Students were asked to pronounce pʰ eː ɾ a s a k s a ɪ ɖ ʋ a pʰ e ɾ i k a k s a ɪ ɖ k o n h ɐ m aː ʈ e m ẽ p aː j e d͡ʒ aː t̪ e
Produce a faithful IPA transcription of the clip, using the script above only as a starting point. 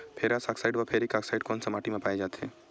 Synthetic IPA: pʰ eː ɾ a s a k s a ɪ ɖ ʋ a pʰ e ɾ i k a k s a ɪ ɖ k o n s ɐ m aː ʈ i m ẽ p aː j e d͡ʒ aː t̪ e

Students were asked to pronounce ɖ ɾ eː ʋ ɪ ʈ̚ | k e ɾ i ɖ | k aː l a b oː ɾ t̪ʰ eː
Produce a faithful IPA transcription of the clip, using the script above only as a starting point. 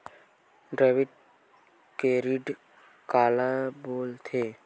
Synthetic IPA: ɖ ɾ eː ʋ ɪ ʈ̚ | k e ɾ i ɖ | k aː l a b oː l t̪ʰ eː

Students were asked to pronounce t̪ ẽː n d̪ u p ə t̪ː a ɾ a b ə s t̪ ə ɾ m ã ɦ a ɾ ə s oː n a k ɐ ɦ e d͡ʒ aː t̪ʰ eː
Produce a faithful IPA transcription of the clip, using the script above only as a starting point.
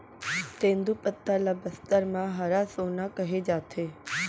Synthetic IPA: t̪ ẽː n d̪ u p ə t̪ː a l a b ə s t̪ ə ɾ m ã ɦ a ɾ a s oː n a k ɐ ɦ e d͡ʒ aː t̪ʰ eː

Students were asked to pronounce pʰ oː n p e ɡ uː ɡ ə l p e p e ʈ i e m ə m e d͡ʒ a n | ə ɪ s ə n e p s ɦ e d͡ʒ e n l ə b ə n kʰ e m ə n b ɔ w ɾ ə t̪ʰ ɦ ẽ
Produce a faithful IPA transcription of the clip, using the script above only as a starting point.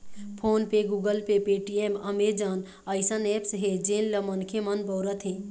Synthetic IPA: pʰ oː n p e ɡ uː ɡ ə l p e p e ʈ i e m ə m e d͡ʒ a n | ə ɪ s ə n e p s ɦ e d͡ʒ e n l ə m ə n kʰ e m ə n b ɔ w ɾ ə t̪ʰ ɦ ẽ

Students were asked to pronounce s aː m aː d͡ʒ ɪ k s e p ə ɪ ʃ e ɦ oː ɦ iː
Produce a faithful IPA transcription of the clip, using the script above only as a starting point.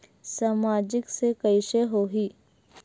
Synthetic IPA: s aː m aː d͡ʒ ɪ k s e k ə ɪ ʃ e ɦ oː ɦ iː

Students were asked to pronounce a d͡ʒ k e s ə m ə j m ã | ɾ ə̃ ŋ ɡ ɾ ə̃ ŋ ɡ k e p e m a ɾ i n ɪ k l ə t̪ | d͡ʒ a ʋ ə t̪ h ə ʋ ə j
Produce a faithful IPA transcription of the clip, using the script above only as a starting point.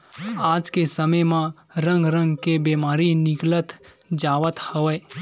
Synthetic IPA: a d͡ʒ k e s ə m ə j m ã | ɾ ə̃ ŋ ɡ ɾ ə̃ ŋ ɡ k e b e m a ɾ i n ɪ k l ə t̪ | d͡ʒ a ʋ ə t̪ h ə ʋ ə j

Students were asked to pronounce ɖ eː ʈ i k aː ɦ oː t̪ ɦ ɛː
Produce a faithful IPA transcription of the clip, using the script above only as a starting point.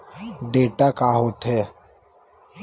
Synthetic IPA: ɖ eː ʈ a k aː ɦ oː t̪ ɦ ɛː

